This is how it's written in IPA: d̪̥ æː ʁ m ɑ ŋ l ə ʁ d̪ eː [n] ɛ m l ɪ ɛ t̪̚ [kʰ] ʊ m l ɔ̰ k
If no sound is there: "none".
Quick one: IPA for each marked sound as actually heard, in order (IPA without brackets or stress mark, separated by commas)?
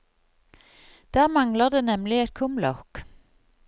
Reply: n, kʰ